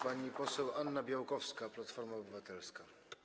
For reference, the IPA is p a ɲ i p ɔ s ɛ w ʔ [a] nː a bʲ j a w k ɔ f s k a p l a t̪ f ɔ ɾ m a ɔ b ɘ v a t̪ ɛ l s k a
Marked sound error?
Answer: no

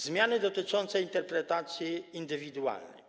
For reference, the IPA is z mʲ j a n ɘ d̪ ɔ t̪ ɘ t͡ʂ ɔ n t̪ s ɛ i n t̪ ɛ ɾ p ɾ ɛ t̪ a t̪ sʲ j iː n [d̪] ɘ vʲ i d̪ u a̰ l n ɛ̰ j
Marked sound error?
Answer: no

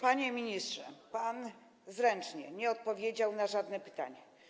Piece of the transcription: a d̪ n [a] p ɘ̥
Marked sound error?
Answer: yes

